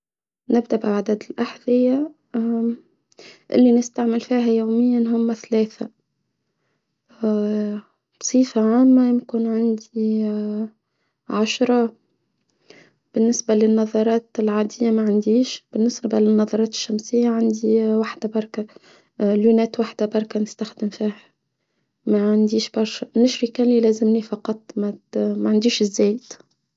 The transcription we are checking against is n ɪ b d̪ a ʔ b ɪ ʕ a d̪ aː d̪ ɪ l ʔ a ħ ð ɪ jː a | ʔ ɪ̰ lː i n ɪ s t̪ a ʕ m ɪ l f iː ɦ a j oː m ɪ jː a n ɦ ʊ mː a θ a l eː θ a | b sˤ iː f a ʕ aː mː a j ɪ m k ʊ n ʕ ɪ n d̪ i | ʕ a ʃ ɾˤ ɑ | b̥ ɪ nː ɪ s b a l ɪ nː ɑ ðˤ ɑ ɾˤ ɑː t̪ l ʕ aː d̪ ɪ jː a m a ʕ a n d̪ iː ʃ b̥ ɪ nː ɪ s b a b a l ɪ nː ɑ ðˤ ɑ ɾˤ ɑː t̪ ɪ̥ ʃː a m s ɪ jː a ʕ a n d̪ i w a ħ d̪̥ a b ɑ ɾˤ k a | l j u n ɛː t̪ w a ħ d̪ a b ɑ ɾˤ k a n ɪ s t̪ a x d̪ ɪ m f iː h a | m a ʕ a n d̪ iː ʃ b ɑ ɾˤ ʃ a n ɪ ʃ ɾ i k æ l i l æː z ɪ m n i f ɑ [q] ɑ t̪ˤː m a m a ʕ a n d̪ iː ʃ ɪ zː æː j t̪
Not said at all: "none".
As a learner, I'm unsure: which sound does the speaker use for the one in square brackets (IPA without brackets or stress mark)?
q